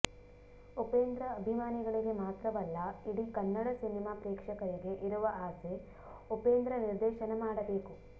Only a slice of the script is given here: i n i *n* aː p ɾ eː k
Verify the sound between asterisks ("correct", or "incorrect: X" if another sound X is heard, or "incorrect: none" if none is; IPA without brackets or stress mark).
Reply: incorrect: m